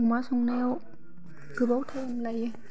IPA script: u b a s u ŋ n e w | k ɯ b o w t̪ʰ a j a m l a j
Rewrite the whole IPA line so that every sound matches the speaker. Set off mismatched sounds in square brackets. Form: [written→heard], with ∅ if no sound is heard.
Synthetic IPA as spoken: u [b→m] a s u ŋ n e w | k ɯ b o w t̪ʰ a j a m l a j